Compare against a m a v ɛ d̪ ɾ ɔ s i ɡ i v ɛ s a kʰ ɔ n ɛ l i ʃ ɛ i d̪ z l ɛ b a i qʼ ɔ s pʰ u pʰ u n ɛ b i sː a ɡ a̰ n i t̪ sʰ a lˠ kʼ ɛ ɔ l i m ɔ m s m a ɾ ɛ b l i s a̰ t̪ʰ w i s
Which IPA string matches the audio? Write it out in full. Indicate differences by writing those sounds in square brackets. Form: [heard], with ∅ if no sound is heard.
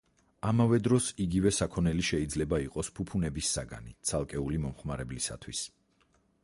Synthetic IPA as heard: a m a v ɛ d̪ ɾ ɔ s i ɡ i v ɛ s a kʰ ɔ n ɛ l i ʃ ɛ i d̪ z l ɛ b a i qʼ ɔ s pʰ u pʰ u n ɛ b i sː a ɡ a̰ n i t̪ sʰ a lˠ kʼ ɛ [u] l i m ɔ m [χ] m a ɾ ɛ b l i s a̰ t̪ʰ w i s